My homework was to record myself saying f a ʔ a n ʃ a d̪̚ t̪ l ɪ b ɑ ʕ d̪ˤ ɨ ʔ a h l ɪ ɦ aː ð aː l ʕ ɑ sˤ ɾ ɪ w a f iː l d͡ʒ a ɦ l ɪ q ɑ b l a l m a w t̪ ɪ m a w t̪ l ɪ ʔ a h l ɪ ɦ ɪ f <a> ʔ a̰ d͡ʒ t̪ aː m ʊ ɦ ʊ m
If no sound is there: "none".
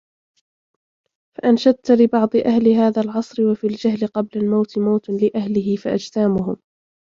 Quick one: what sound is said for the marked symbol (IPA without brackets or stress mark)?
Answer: a